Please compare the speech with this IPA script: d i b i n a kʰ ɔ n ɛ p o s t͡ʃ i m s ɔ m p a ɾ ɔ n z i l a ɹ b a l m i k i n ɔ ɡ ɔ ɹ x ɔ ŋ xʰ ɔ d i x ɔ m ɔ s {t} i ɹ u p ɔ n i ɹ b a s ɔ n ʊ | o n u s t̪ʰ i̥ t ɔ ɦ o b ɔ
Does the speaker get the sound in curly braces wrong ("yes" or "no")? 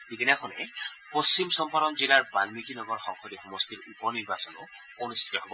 no